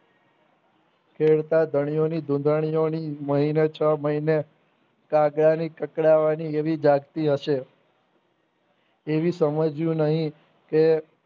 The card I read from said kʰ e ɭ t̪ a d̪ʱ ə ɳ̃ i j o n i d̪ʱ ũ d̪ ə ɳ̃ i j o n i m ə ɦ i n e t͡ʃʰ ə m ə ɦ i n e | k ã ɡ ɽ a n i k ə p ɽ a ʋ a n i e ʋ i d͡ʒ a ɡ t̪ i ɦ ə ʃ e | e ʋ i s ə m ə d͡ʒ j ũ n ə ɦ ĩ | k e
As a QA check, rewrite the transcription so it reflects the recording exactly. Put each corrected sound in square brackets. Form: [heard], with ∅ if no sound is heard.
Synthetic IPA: kʰ e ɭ t̪ a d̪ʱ ə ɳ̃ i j o n i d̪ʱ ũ d̪ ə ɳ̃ i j o n i m ə ɦ i n e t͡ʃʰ ə m ə ɦ i n e | k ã ɡ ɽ a n i k ə [k] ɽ a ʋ a n i e ʋ i d͡ʒ a ɡ t̪ i ɦ ə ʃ e | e ʋ i s ə m ə d͡ʒ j ũ n ə ɦ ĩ | k e